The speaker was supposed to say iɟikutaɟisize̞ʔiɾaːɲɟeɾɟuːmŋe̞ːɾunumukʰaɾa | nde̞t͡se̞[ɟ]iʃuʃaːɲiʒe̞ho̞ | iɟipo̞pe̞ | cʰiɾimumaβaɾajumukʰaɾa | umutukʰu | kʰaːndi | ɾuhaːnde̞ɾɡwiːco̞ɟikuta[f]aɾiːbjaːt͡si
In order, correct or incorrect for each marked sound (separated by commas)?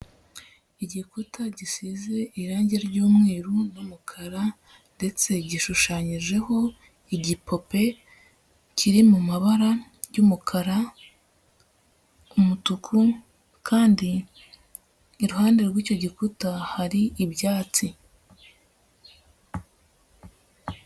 correct, incorrect